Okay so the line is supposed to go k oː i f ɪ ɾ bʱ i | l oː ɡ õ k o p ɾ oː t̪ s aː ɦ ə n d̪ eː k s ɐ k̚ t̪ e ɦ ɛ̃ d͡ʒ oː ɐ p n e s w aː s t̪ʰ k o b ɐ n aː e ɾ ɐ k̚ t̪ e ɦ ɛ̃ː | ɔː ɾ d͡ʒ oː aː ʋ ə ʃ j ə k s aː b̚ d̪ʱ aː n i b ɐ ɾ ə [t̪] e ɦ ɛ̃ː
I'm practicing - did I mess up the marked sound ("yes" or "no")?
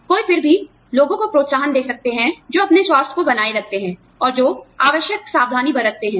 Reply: no